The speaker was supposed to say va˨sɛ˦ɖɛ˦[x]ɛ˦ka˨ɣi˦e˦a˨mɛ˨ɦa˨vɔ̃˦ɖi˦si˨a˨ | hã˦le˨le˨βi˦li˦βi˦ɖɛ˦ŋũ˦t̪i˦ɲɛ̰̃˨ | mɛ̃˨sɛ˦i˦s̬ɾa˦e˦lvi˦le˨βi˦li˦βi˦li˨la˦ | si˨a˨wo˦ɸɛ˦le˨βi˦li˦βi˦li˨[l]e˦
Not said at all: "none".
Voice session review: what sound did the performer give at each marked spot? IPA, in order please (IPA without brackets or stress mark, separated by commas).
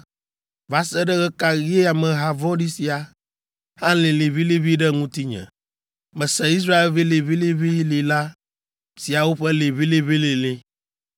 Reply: ɣ, l